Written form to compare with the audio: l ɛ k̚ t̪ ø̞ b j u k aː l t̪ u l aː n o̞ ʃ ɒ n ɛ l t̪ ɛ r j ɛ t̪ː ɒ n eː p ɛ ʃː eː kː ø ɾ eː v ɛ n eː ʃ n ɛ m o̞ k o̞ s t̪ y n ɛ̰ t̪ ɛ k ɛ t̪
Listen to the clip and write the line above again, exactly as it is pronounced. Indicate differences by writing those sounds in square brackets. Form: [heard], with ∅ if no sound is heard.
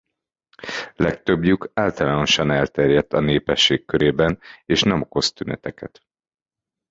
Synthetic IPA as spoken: l ɛ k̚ t̪ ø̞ b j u k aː l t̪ [ɒ] l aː n o̞ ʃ ɒ n ɛ l t̪ ɛ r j ɛ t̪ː ɒ n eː p ɛ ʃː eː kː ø ɾ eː [b] ɛ n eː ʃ n ɛ m o̞ k o̞ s t̪ y n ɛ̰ t̪ ɛ k ɛ t̪